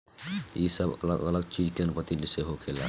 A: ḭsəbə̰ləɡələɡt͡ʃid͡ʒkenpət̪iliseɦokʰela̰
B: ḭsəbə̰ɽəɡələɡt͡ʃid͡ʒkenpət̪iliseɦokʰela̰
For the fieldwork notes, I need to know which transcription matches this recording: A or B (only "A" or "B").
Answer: A